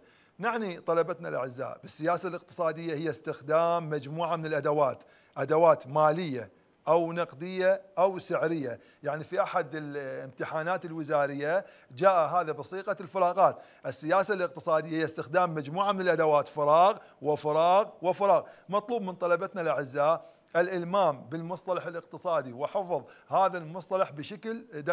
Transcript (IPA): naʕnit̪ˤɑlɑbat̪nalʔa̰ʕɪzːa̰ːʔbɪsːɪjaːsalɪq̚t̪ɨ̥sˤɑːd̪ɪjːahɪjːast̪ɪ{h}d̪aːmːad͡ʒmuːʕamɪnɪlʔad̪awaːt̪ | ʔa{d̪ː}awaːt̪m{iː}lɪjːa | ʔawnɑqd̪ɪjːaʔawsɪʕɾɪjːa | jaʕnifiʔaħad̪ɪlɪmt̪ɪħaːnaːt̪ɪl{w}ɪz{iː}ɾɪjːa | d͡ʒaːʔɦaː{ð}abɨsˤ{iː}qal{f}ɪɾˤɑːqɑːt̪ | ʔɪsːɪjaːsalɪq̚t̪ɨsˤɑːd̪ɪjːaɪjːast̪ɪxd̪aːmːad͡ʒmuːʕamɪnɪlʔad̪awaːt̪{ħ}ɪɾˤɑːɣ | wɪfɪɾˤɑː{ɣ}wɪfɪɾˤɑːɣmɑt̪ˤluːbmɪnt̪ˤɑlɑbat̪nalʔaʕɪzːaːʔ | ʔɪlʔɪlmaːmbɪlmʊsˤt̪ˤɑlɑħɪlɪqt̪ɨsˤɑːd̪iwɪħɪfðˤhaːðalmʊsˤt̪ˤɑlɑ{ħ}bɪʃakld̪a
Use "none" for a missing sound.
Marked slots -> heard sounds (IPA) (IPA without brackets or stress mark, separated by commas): x, d̪, aː, w, aː, ð, iː, f, f, ɣ, ħ